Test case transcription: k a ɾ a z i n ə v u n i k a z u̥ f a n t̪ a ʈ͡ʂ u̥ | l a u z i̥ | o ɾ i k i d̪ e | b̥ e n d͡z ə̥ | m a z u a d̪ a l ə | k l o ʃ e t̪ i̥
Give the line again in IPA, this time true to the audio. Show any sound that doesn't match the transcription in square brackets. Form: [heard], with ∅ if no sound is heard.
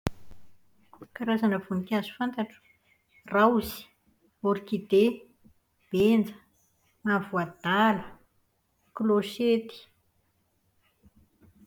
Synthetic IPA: k a ɾ a z [a] n ə v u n i k a z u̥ f a n t̪ a ʈ͡ʂ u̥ | [r] a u z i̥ | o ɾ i k i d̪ e | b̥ e n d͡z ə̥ | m a [v] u a d̪ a l ə | k l o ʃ e t̪ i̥